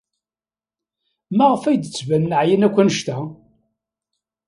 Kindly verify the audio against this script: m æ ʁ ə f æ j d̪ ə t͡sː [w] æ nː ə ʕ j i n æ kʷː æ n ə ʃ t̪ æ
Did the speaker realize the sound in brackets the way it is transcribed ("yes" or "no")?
no